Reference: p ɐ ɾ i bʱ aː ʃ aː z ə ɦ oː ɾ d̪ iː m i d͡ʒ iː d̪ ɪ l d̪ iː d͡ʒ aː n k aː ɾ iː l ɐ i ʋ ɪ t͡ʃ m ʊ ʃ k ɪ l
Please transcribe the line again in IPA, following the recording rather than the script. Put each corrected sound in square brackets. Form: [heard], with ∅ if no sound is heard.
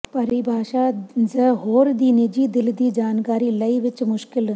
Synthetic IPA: p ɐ ɾ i bʱ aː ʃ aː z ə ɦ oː ɾ d̪ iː [n] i d͡ʒ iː d̪ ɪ l d̪ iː d͡ʒ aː n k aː ɾ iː l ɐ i ʋ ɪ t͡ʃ m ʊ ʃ k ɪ l